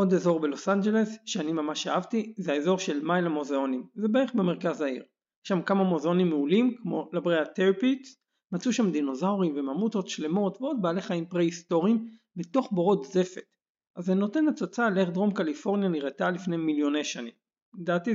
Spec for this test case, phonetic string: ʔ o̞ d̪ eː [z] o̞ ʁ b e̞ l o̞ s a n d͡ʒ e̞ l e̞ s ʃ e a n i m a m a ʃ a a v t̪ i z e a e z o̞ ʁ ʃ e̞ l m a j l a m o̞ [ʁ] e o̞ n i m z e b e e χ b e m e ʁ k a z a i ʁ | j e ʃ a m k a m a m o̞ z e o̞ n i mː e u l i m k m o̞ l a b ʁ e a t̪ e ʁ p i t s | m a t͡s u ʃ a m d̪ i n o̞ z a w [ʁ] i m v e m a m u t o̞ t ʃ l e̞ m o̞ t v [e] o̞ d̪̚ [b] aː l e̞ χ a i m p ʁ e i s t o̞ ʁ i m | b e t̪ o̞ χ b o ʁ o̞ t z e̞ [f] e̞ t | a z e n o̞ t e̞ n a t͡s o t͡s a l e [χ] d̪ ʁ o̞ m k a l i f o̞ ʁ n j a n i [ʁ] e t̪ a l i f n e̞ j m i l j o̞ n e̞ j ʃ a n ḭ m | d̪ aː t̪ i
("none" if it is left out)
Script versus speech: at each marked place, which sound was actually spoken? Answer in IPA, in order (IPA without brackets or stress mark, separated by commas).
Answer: z, z, ʁ, e, b, f, χ, ʁ